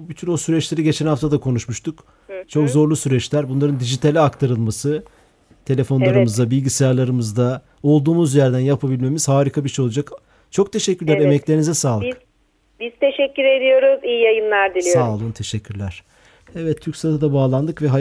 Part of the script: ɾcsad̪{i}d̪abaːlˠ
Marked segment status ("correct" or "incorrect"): incorrect